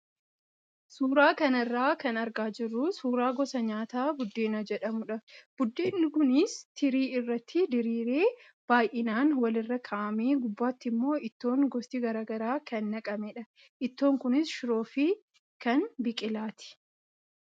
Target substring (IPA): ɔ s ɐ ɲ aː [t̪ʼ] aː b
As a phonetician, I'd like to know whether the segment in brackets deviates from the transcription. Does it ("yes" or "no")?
yes